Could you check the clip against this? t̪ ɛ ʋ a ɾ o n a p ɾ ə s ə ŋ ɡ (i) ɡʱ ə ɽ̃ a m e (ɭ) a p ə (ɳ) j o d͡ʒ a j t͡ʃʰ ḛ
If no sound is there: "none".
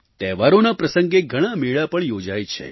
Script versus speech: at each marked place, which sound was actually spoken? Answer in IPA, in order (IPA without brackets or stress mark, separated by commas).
e, ɭ, ɳ